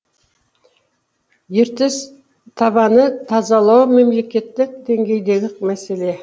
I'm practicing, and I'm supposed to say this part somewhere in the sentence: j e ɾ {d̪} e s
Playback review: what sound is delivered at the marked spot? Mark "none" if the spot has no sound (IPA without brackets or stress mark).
t̪